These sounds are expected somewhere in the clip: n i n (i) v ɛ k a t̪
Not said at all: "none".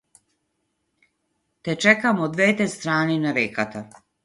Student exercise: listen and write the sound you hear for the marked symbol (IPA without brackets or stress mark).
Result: a